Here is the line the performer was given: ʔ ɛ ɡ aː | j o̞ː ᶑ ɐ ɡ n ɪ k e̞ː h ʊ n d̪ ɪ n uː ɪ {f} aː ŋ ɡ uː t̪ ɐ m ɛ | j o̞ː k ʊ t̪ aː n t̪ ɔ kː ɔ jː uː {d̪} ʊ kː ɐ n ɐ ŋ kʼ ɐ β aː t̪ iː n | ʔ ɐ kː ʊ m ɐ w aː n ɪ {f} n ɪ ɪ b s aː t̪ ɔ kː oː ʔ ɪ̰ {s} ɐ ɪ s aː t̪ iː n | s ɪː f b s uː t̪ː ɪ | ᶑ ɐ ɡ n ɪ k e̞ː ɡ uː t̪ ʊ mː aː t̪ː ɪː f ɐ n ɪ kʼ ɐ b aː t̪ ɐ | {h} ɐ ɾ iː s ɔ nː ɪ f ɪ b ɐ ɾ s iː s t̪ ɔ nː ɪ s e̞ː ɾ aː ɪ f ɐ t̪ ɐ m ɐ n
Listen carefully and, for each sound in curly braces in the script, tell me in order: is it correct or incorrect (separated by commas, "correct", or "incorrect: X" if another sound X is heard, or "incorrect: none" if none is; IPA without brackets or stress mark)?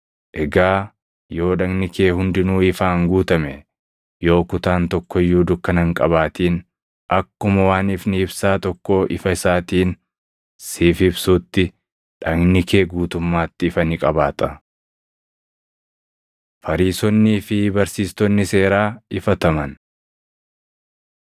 correct, correct, correct, incorrect: f, incorrect: f